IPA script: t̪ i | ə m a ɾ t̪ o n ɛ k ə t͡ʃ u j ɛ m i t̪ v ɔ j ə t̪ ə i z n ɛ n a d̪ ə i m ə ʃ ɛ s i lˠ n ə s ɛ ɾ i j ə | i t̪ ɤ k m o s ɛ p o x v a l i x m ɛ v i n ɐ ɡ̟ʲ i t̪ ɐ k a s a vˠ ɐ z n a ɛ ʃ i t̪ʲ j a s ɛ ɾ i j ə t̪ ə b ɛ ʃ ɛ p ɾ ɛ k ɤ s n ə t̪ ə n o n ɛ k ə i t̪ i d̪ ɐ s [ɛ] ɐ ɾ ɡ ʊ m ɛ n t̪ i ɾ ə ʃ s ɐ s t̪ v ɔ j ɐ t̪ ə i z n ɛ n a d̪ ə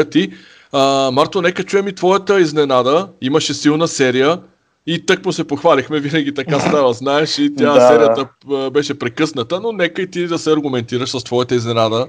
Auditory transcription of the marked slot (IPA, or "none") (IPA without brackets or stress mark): ɛ